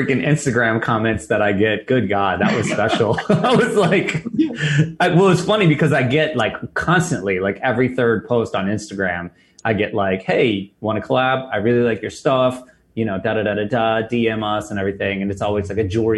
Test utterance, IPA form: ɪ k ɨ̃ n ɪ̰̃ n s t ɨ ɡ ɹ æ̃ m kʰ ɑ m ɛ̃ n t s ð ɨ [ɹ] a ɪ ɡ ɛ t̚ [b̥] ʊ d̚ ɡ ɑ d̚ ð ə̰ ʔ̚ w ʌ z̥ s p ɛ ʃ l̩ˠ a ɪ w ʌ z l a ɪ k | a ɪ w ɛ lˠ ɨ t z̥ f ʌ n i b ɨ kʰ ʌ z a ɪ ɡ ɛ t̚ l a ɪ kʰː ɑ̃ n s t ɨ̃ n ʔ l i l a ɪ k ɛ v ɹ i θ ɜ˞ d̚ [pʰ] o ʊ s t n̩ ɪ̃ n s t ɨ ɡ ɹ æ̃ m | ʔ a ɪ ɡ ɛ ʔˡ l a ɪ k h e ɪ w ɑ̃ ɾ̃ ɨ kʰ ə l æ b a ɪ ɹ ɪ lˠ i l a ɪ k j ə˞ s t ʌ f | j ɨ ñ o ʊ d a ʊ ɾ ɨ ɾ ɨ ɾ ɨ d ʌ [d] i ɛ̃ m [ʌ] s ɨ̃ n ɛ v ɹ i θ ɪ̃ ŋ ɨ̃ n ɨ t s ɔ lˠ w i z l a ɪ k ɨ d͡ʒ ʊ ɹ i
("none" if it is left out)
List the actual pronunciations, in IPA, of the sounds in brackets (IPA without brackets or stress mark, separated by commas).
ɾ, ɡ̥, pʰ, d, ʌ